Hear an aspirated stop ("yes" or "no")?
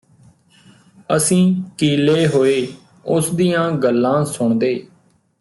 no